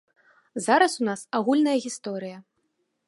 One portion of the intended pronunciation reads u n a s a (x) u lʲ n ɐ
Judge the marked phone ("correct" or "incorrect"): incorrect